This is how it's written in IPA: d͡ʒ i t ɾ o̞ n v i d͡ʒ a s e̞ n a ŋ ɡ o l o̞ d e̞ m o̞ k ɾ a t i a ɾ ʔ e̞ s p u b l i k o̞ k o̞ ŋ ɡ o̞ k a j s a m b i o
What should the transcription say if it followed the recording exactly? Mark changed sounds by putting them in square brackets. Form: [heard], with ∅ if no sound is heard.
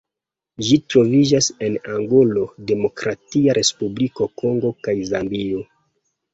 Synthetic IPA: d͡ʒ i t ɾ o̞ [∅] v i d͡ʒ a s e̞ n a ŋ ɡ o l o̞ d e̞ m o̞ k ɾ a t i a ɾ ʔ e̞ s p u b l i k o̞ k o̞ ŋ ɡ o̞ k a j [z] a m b i o